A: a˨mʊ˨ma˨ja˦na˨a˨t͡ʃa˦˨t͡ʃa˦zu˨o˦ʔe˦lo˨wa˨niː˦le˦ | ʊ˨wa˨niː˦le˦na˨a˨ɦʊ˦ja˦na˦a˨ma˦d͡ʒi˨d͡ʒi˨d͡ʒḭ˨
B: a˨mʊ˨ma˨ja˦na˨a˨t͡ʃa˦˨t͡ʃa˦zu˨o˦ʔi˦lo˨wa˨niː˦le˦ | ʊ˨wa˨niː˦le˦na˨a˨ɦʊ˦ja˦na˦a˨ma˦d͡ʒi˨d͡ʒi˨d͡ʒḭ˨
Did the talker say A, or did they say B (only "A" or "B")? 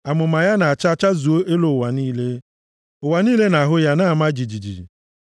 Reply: A